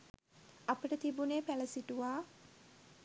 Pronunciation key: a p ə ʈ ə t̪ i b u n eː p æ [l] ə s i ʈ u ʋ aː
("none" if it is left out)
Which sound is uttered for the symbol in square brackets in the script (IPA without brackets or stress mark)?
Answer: l